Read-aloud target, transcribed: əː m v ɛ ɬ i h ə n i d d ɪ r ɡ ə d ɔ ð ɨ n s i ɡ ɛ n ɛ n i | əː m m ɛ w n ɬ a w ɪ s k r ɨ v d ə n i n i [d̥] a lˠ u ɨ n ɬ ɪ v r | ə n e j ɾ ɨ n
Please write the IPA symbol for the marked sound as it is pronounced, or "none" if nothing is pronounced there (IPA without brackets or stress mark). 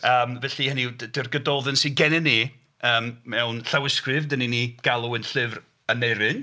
ɡ̥